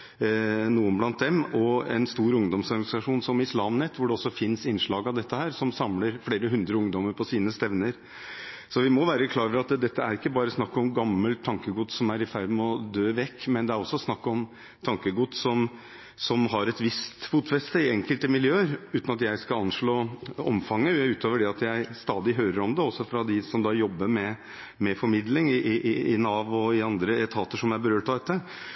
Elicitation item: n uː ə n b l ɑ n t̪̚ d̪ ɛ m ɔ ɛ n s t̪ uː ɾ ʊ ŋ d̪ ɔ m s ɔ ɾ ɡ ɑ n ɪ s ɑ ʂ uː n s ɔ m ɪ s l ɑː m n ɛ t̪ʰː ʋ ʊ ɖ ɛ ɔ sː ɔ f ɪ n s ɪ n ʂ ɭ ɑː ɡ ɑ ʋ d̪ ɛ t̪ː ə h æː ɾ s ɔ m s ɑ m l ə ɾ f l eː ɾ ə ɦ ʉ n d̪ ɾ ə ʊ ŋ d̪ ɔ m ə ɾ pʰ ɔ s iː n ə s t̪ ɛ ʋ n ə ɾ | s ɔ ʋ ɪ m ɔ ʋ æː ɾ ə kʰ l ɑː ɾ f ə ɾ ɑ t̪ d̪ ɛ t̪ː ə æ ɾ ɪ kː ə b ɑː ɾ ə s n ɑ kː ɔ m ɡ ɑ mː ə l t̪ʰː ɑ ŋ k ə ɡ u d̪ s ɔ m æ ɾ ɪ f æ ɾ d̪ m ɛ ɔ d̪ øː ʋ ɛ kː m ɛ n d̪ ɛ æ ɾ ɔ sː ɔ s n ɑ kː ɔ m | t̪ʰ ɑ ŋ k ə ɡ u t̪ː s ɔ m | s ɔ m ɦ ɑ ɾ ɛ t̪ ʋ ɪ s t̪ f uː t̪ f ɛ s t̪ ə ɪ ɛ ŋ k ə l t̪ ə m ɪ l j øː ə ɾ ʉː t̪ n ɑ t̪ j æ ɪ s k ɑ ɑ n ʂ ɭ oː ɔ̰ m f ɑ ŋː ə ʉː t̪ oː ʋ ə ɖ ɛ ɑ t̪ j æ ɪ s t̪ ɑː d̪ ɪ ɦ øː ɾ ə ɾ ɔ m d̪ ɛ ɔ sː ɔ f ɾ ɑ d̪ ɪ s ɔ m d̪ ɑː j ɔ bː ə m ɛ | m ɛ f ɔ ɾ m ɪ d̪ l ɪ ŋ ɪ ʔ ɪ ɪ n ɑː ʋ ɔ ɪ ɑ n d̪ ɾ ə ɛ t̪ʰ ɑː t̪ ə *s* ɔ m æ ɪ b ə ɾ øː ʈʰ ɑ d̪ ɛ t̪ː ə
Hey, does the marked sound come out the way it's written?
no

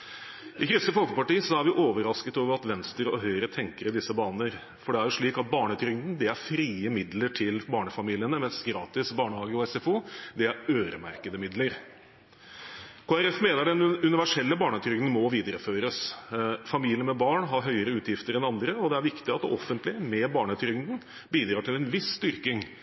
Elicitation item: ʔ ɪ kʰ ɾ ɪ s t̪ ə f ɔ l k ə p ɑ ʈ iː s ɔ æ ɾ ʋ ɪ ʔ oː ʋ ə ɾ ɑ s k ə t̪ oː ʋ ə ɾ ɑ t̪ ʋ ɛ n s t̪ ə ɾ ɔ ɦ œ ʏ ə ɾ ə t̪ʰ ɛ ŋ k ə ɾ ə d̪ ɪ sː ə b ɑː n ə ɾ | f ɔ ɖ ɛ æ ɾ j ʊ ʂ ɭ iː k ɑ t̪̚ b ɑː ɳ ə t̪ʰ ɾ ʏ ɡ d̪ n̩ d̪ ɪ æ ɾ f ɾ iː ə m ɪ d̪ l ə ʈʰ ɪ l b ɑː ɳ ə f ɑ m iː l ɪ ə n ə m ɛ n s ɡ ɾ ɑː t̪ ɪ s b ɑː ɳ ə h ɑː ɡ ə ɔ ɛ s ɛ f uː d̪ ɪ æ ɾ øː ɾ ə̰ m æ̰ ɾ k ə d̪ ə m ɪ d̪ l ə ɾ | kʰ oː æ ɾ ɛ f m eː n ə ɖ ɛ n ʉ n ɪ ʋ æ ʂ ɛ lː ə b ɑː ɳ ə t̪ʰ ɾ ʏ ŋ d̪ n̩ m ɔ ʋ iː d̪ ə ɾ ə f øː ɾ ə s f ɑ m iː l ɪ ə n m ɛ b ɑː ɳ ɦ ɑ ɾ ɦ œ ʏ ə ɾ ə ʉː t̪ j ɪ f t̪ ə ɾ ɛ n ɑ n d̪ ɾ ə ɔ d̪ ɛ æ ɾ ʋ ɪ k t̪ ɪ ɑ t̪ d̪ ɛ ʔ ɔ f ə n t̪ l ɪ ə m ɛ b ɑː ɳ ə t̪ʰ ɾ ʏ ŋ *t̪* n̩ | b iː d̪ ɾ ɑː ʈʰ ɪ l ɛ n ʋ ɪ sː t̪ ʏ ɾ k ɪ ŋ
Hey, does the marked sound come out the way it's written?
no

